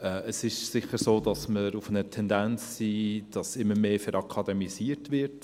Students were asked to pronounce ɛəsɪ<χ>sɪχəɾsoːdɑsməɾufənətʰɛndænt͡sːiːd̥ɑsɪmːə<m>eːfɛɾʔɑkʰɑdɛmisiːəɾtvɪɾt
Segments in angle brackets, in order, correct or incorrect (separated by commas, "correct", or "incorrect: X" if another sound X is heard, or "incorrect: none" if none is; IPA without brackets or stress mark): incorrect: ʃ, correct